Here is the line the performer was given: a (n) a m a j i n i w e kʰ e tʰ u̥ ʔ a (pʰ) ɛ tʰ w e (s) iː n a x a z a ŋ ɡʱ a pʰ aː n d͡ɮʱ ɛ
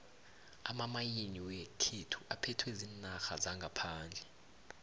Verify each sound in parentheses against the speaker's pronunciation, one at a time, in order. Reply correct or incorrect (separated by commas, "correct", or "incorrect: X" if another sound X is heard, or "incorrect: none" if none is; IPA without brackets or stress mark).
incorrect: m, correct, incorrect: z